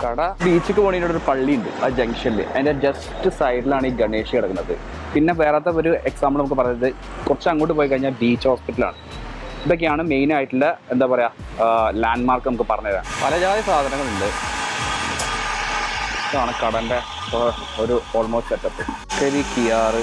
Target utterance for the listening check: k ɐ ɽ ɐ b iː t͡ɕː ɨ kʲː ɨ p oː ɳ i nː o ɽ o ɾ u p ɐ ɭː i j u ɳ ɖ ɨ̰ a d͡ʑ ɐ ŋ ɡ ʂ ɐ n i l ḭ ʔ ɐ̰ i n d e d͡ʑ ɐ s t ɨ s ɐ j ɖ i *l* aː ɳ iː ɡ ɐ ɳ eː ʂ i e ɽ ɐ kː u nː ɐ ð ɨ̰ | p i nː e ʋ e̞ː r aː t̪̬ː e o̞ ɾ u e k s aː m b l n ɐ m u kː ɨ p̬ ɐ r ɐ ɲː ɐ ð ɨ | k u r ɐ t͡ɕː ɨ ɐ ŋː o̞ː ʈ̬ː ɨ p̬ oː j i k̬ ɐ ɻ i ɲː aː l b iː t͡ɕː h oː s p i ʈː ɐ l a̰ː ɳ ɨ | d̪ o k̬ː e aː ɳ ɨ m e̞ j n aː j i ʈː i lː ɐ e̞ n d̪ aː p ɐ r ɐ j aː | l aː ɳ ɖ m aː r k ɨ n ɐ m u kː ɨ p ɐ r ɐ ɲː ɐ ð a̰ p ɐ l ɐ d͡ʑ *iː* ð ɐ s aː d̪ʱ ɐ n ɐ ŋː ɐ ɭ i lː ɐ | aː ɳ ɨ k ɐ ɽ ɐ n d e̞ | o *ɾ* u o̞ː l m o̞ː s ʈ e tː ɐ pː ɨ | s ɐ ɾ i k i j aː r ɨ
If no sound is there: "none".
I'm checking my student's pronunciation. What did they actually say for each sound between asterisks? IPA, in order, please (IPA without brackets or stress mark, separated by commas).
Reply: l, aː, ɾ